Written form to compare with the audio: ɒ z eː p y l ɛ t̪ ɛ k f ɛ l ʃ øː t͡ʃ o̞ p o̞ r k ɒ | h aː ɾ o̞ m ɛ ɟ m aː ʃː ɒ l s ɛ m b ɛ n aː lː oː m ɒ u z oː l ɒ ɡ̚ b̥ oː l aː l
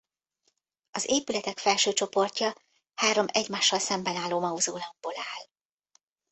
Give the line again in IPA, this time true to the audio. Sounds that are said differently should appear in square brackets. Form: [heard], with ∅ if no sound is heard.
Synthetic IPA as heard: ɒ z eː p y l ɛ t̪ ɛ k f ɛ l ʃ øː t͡ʃ o̞ p o̞ r [c] ɒ | h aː ɾ o̞ m ɛ ɟ m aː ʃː ɒ l s ɛ m b ɛ n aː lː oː m ɒ u z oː l ɒ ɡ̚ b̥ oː l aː l